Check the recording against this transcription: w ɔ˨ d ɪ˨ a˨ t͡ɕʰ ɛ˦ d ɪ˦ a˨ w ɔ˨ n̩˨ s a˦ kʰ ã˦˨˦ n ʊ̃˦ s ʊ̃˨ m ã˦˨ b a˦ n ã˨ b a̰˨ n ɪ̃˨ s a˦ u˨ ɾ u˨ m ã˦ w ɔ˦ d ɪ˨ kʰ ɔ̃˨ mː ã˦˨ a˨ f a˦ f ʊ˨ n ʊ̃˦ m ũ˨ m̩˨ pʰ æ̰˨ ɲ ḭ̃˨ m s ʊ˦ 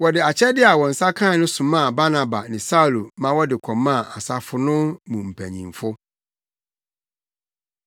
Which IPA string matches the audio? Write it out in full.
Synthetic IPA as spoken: w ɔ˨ d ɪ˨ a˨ t͡ɕʰ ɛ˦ d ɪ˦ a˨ w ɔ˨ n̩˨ s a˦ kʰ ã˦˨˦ n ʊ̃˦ s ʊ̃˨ m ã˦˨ b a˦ n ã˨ b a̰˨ n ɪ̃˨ s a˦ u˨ l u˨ m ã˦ w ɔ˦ d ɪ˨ kʰ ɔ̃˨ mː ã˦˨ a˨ s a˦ f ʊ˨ n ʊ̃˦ m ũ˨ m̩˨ pʰ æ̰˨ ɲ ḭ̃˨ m f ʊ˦

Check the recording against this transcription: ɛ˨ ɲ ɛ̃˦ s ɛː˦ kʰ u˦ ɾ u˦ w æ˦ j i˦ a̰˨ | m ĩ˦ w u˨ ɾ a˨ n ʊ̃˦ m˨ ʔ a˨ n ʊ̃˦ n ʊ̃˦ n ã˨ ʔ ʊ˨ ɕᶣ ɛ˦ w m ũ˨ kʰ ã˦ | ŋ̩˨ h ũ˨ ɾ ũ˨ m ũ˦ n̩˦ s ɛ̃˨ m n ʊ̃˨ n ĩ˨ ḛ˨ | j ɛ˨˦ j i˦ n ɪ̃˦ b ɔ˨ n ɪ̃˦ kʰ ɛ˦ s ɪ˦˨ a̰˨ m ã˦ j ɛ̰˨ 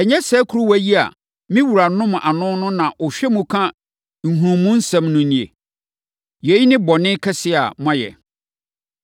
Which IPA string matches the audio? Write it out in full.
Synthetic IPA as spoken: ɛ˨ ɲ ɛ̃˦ s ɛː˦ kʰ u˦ ɾ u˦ w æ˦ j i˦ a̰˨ | m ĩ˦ w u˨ ɾ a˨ n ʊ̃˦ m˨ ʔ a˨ n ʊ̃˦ n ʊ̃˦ n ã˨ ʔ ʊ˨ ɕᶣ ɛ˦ m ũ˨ kʰ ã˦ | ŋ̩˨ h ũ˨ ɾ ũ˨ m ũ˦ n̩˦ s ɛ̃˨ m n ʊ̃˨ n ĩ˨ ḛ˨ | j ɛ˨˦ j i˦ n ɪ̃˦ b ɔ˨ n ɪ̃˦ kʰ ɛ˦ s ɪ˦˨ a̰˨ m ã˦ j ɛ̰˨

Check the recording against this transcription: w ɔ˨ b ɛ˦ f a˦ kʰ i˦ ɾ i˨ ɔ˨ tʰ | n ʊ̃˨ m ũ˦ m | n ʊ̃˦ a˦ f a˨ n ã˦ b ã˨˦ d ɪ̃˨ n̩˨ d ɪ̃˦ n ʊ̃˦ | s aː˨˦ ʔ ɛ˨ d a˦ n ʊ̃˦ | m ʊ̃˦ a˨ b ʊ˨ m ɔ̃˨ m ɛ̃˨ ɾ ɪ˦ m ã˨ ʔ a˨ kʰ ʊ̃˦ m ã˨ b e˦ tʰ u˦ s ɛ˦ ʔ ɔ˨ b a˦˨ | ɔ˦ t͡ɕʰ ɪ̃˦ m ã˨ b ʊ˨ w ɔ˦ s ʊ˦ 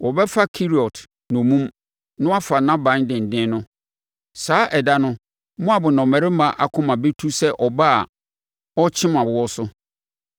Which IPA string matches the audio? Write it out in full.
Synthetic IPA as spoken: w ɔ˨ b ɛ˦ f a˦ kʰ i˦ ɾ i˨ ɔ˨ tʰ | n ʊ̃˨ m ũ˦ m | n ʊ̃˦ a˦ f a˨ n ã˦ b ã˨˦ d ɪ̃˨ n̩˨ d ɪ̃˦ n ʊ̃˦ | s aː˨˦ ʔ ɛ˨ d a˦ n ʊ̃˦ | m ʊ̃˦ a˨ b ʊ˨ n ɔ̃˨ m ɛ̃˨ ɾ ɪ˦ m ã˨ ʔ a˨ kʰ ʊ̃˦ m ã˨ b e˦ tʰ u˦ s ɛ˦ ʔ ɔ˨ b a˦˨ | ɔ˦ t͡ɕʰ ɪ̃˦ m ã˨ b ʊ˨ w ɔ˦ s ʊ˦

